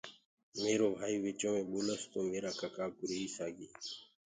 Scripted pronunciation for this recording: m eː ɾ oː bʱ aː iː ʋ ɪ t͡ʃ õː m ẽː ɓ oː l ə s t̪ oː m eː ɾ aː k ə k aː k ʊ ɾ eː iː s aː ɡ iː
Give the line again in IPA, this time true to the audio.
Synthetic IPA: m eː ɾ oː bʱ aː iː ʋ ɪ t͡ʃ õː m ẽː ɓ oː l ə s t̪ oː m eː ɾ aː k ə k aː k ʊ ɾ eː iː s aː ɡ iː